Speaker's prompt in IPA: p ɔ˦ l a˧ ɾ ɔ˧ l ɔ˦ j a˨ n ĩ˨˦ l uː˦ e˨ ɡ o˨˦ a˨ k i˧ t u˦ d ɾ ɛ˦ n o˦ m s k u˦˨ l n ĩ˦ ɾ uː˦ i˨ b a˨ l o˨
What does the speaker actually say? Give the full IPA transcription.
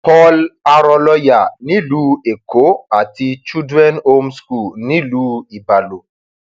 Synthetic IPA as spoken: p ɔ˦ l a˧ ɾ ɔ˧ l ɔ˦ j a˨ n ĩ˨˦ l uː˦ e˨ k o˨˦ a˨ t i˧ t͡ʃ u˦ d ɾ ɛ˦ n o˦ m s k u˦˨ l n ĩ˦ l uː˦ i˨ b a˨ l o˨